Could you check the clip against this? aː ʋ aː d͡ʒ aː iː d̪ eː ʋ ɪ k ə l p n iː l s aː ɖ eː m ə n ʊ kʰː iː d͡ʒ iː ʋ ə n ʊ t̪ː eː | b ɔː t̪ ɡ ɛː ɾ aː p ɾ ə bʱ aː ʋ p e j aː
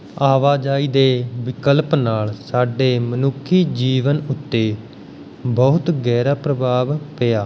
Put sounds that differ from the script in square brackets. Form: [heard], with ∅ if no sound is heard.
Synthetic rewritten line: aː ʋ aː d͡ʒ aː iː d̪ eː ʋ ɪ k ə l p n [aː] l s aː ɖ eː m ə n ʊ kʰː iː d͡ʒ iː ʋ ə n ʊ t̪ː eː | b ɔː t̪ ɡ ɛː ɾ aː p ɾ ə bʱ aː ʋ p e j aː